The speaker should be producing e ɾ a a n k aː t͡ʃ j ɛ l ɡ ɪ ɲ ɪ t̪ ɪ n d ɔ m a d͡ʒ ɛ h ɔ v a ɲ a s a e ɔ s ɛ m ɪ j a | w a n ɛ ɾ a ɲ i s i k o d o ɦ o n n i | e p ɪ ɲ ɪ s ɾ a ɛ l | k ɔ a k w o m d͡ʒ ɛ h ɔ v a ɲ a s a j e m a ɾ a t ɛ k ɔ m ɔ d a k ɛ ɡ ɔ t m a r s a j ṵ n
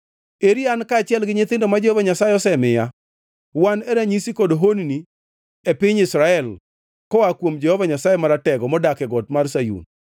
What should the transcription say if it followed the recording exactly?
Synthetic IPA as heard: e ɾ i a n k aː t͡ʃ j ɛ l ɡ ɪ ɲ ɪ t̪ ɪ n d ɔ m a d͡ʒ ɛ h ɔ v a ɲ a s a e ɔ s ɛ m ɪ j a | w a n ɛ ɾ a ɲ i s i k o d o ɦ o n n i | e p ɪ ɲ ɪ s ɾ a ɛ l | k ɔ a k w o m d͡ʒ ɛ h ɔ v a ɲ a s a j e m a ɾ a t ɛ ɡ ɔ m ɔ d a k ɛ ɡ ɔ t m a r s a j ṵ n